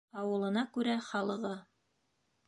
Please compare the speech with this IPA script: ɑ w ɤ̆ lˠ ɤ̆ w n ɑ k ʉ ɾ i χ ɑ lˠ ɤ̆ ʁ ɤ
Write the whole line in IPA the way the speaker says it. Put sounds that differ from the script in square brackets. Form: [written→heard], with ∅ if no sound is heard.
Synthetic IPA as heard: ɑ w ɤ̆ lˠ ɤ̆ [w→∅] n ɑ k ʉ ɾ [i→æ] χ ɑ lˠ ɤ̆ ʁ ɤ